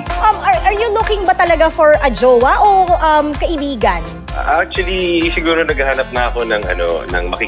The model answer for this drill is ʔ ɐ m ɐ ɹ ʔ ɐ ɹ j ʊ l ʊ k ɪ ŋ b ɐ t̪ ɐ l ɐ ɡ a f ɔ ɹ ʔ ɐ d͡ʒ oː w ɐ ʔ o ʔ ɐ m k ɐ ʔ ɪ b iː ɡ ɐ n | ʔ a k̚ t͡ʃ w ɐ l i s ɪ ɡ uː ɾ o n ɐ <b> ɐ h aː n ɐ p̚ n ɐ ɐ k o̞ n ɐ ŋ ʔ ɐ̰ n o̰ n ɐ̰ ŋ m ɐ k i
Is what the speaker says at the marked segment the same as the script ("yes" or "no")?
no